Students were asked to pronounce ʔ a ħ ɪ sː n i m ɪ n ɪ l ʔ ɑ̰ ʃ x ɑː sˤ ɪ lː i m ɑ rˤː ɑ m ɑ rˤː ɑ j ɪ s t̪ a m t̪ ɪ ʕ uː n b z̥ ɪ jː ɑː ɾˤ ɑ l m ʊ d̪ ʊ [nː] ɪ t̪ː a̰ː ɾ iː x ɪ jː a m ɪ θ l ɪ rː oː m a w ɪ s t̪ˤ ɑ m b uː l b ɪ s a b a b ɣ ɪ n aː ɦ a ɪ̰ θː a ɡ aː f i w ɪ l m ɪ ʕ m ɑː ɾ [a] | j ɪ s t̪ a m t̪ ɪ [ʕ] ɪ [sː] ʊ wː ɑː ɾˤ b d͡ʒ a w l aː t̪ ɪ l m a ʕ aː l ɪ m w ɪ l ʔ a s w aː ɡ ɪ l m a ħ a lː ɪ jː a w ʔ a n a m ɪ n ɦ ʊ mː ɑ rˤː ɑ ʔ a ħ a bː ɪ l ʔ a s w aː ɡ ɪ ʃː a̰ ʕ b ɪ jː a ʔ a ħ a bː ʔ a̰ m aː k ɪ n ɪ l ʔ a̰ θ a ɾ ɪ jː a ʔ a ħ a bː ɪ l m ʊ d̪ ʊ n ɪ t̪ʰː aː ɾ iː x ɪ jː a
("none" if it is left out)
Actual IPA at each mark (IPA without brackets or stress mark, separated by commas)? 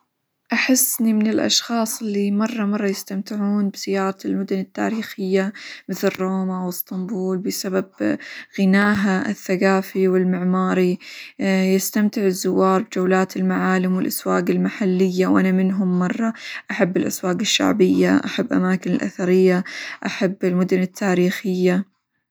n, i, ʕ, zː